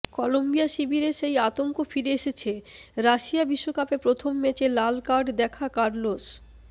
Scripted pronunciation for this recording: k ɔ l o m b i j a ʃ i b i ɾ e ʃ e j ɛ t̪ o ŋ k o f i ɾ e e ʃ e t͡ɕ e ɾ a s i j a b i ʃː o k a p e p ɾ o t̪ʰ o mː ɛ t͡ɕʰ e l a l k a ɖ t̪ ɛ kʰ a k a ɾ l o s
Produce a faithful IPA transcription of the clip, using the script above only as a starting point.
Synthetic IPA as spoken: k ɔ l o m b i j a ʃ i b i ɾ e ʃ e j a t̪ o ŋ k o f i ɾ e e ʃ e t͡ɕʰ e ɾ a ʃ i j a b i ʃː o k a p e p ɾ o t̪ʰ o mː ɛ t͡ɕ e l a l k a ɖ d̪ ɛ kʰ a k a ɾ l o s